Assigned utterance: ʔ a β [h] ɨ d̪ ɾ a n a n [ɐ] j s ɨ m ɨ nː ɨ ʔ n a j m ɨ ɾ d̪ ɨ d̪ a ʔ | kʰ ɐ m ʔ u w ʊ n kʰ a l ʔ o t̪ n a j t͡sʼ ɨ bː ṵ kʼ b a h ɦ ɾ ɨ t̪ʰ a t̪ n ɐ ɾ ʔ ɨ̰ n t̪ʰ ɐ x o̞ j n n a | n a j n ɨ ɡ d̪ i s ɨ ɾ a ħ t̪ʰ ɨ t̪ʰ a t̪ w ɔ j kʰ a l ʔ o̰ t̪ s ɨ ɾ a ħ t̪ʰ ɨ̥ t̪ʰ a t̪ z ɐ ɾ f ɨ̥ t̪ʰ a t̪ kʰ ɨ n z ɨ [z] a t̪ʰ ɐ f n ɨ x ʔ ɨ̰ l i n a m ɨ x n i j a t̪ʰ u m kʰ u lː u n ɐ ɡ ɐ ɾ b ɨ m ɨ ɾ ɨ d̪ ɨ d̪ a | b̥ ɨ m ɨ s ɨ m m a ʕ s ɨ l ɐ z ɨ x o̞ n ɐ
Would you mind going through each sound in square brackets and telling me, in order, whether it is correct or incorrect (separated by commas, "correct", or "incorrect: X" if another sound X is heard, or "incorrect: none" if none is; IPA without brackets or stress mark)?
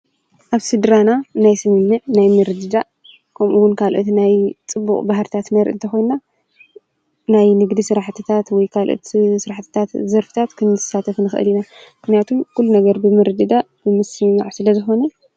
incorrect: s, incorrect: a, incorrect: s